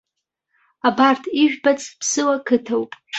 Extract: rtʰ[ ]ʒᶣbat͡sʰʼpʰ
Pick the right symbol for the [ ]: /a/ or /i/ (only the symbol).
i